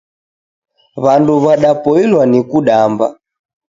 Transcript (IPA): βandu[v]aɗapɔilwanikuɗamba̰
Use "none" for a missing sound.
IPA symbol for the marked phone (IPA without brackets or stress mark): β